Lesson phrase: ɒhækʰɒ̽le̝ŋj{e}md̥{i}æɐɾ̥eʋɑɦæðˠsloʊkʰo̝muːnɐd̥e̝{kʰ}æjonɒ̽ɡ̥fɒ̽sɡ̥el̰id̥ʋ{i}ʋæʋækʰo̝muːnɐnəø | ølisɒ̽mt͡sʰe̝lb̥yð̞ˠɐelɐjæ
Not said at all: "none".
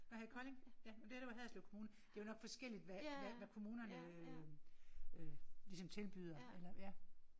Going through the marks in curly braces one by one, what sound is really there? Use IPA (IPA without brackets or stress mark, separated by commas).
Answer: æ, e, none, æ